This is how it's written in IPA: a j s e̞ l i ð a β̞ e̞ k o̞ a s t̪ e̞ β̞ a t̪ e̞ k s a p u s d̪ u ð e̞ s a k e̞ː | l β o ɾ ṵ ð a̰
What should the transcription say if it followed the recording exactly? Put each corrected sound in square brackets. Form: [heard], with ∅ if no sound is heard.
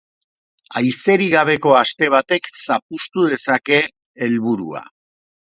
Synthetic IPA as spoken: a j s e̞ [ɾ] i [ɣ] a β̞ e̞ k o̞ a s t̪ e̞ β̞ a t̪ e̞ k s a p u s [t̪] u ð e̞ s a k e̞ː | l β [u] ɾ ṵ [∅] a̰

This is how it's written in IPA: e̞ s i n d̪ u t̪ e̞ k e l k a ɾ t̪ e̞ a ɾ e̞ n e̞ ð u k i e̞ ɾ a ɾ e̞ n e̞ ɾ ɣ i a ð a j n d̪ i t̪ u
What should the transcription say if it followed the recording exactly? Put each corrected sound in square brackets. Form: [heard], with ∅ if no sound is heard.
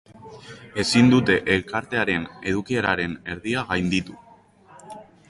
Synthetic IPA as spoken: e̞ s i n d̪ u t̪ e̞ [ʔ] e l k a ɾ t̪ e̞ a ɾ e̞ n e̞ ð u k i e̞ ɾ a ɾ e̞ n e̞ ɾ [ð] i a [ɣ] a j n d̪ i t̪ u

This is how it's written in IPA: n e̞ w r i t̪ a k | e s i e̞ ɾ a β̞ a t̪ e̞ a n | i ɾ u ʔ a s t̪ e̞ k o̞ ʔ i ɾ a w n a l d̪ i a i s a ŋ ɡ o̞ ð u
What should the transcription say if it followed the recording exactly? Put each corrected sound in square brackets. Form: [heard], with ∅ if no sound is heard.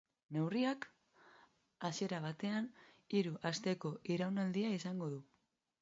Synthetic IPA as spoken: n e̞ w r i [∅] a k | [a] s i e̞ ɾ a β̞ a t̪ e̞ a n | i ɾ u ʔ a s t̪ e̞ k o̞ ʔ i ɾ a w n a l d̪ i a i s a ŋ ɡ o̞ ð u

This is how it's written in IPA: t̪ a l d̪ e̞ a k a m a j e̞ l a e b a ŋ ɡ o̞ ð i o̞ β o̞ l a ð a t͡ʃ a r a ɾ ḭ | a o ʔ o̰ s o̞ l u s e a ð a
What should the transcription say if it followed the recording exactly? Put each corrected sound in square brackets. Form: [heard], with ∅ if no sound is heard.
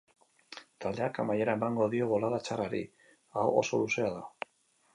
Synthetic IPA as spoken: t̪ a l d̪ e̞ a k a m a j e̞ [ɾ] a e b a ŋ ɡ o̞ ð i o̞ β o̞ l a ð a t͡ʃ a r a ɾ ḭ | a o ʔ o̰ s o̞ l u s e a ð a

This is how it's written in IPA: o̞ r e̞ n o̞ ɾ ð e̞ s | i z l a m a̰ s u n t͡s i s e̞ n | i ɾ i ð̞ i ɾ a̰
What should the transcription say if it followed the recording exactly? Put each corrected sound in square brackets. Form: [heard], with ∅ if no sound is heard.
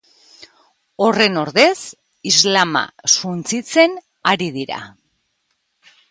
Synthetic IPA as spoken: o̞ r e̞ n o̞ ɾ ð e̞ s | i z l a m a̰ s u n t͡s i [t͡s] e̞ n | [a] ɾ i ð̞ i ɾ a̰

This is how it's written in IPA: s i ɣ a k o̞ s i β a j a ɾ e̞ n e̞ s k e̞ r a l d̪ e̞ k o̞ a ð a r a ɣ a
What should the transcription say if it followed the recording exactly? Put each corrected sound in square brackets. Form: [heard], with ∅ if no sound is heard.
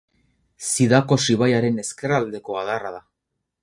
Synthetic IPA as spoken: s i [ð] a k o̞ s i β a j a ɾ e̞ n e̞ s k e̞ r a l d̪ e̞ k o̞ a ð a r a [ð] a

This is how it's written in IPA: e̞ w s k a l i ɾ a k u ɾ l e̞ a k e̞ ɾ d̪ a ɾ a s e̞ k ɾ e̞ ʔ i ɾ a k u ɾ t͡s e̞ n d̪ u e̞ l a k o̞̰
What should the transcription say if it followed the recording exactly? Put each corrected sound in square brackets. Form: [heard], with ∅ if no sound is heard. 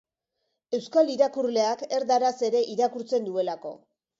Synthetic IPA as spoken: e̞ w s k a l i ɾ a k u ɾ l e̞ a k e̞ ɾ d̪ a ɾ a s e̞ [∅] ɾ e̞ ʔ i ɾ a k u ɾ t͡s e̞ n d̪ u e̞ l a k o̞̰

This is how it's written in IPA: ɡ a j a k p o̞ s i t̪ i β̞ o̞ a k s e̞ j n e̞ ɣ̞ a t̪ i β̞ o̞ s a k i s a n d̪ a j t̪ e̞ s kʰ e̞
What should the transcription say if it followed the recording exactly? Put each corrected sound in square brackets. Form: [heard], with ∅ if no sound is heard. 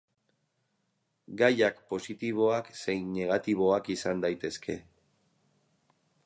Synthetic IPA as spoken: ɡ a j a k p o̞ s i t̪ i β̞ o̞ a k s e̞ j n e̞ ɣ̞ a t̪ i β̞ o̞ [∅] a k i s a n d̪ a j t̪ e̞ s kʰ e̞

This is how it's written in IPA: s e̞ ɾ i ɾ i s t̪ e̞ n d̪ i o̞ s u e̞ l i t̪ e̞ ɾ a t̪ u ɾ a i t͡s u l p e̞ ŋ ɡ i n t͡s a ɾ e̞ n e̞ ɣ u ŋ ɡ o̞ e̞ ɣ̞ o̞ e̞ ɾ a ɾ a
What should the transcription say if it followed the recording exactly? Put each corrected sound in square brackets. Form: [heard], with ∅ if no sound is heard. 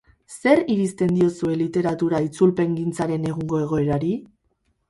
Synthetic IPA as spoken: s e̞ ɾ i ɾ i s t̪ e̞ n d̪ i o̞ s u e̞ l i t̪ e̞ ɾ a t̪ u ɾ a i t͡s u l p e̞ ŋ ɡ i n t͡s a ɾ e̞ n e̞ ɣ u ŋ ɡ o̞ e̞ ɣ̞ o̞ e̞ ɾ a ɾ [i]

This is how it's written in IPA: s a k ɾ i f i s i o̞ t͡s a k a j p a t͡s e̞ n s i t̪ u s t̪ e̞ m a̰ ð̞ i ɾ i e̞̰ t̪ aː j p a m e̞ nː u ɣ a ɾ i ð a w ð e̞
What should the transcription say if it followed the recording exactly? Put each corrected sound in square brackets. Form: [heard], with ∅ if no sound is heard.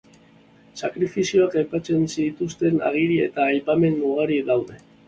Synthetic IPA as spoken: s a k ɾ i f i s i o̞ [∅] a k a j p a t͡s e̞ n s i t̪ u s t̪ e̞ [n] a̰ [ɣ̞] i ɾ i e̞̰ t̪ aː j p a m e̞ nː u ɣ a ɾ i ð a w ð e̞

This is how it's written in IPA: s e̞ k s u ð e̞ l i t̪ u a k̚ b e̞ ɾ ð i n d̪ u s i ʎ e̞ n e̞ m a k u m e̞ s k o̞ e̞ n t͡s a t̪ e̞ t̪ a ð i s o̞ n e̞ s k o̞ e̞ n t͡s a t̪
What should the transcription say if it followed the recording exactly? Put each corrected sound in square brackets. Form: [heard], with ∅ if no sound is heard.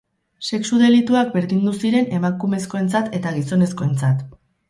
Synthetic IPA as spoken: s e̞ k s u ð e̞ l i t̪ u a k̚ b e̞ ɾ ð i n d̪ u s i [ɾ] e̞ n e̞ m a k u m e̞ s k o̞ e̞ n t͡s a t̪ e̞ t̪ a [ɣ] i s o̞ n e̞ s k o̞ e̞ n t͡s a t̪

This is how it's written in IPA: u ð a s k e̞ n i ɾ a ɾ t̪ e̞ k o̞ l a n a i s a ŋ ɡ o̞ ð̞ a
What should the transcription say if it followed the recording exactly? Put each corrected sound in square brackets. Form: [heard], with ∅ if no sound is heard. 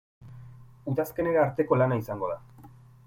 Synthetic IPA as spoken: u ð a s k e̞ n [e] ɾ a ɾ t̪ e̞ k o̞ l a n a i s a ŋ ɡ o̞ ð̞ a

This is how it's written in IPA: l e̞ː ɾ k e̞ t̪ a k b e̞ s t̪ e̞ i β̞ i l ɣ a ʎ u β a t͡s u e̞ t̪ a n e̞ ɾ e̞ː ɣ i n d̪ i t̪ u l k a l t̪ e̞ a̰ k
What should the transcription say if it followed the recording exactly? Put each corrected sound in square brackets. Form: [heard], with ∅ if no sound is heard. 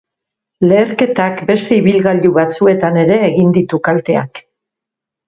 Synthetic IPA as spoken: l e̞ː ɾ k e̞ t̪ a k b e̞ s t̪ e̞ i β̞ i l ɣ a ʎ u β a t͡s u e̞ t̪ a n e̞ ɾ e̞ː ɣ i n d̪ i t̪ u [∅] k a l t̪ e̞ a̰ k

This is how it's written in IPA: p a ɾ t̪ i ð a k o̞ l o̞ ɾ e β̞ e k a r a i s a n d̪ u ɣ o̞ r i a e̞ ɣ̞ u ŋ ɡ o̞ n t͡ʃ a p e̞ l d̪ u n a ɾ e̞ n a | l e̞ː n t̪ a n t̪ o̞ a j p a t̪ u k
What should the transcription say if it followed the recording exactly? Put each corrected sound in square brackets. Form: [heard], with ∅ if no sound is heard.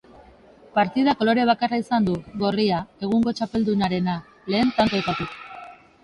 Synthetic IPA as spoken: p a ɾ t̪ i ð a k o̞ l o̞ ɾ e β̞ [a] k a r a i s a n d̪ u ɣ o̞ r i a e̞ ɣ̞ u ŋ ɡ o̞ [∅] t͡ʃ a p e̞ l d̪ u n a ɾ e̞ n a | l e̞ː n t̪ a n t̪ o̞ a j p a t̪ u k

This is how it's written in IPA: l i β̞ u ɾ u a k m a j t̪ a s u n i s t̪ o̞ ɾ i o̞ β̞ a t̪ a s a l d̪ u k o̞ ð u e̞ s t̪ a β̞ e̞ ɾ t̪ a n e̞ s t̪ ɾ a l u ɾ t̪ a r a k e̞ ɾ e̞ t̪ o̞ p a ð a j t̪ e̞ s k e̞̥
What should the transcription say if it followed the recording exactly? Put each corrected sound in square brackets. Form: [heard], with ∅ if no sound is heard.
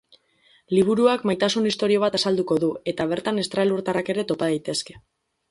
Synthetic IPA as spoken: l i β̞ u ɾ u a k m a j t̪ a s u n i s t̪ o̞ ɾ i o̞ β̞ a t̪ a s a l d̪ u k o̞ ð u e̞ [∅] t̪ a β̞ e̞ ɾ t̪ a n e̞ s t̪ ɾ a l u ɾ t̪ a r a k e̞ ɾ e̞ t̪ o̞ p a ð a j t̪ e̞ s k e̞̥

